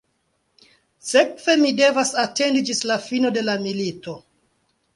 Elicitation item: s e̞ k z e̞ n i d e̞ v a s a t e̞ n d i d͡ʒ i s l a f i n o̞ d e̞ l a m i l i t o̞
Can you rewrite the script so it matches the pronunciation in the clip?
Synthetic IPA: s e̞ k v e̞ m i d e̞ v a s a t e̞ n d i d͡ʒ i s l a f i n o̞ d e̞ l a m i l i t o̞

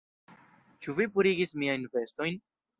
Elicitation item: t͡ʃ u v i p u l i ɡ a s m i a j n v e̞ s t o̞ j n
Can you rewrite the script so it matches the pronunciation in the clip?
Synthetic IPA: t͡ʃ u v i p u ɾ i ɡ i s m i a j n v e̞ s t o̞ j n

